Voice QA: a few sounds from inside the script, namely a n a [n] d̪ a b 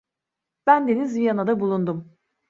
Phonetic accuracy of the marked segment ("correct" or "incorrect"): incorrect